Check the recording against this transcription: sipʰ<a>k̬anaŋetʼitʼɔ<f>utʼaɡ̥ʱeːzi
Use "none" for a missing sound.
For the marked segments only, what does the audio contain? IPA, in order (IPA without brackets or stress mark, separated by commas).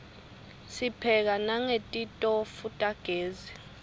ɛ, f